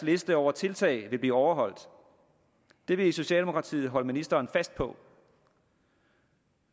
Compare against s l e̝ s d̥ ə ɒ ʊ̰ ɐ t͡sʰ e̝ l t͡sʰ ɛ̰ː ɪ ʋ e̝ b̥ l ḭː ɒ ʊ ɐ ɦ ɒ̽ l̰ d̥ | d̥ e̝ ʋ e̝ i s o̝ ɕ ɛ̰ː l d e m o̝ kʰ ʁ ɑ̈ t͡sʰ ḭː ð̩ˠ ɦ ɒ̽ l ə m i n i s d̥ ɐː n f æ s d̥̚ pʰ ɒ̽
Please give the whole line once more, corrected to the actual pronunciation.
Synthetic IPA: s l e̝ s d̥ ə ɒ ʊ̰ ɐ t͡sʰ e̝ l t͡sʰ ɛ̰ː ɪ ʋ e̝ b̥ l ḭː ɒ ʊ ɐ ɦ ɒ̽ l̰ d̥ | d̥ e̝ ʋ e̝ i s o̝ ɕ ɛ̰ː l d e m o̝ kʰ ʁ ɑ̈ t͡sʰ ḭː ð̩ˠ ɦ ɒ̽ l ə m i n i s d̥ ɐː n f æ s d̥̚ pʰ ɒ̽

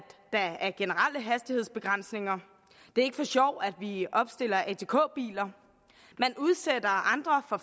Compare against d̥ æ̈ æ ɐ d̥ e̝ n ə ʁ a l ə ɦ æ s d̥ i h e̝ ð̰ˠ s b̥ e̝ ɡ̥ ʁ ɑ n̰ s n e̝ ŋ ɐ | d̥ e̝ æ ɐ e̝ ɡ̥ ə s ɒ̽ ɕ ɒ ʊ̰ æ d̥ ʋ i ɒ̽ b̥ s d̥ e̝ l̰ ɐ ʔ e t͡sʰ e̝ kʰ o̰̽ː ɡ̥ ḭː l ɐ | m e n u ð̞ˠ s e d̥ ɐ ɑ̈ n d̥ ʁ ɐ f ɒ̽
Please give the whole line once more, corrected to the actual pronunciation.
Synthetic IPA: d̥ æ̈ æ ɐ ɡ̥ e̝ n ə ʁ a l ə ɦ æ s d̥ i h e̝ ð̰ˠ s b̥ e̝ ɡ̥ ʁ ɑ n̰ s n e̝ ŋ ɐ | d̥ e̝ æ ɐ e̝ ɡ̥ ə f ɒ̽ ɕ ɒ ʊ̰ æ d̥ ʋ i ɒ̽ b̥ s d̥ e̝ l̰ ɐ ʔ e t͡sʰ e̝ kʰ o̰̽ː b̥ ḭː l ɐ | m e n u ð̞ˠ s e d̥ ɐ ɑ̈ n d̥ ʁ ɐ f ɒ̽

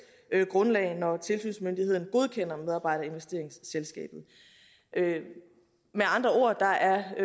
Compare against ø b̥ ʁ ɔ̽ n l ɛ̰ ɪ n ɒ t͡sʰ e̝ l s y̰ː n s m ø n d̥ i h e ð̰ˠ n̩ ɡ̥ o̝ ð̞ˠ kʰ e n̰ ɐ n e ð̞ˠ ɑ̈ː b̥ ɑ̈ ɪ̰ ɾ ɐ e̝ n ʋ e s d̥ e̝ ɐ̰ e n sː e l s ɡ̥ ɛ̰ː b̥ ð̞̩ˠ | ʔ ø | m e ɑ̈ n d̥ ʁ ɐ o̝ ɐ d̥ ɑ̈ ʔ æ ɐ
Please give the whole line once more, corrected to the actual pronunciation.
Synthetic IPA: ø ɡ̥ ʁ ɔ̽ n l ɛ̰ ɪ n ɒ t͡sʰ e̝ l s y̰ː n s m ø n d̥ i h e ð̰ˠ n̩ ɡ̥ o̝ ð̞ˠ kʰ e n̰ ɐ m e ð̞ˠ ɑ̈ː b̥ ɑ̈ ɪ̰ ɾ ɐ e̝ n ʋ e s d̥ e̝ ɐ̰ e ŋ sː e l s ɡ̥ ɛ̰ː b̥ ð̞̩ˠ | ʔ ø | m e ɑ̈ n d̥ ʁ ɐ o̝ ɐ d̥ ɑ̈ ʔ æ ɐ

